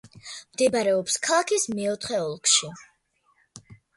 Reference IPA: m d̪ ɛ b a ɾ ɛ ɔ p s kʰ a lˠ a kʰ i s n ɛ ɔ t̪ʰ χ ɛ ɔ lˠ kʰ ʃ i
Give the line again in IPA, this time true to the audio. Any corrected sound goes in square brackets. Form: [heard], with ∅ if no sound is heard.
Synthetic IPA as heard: m d̪ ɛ b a ɾ ɛ ɔ p s kʰ a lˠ a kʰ i s [m] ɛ ɔ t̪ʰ χ ɛ ɔ lˠ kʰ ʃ i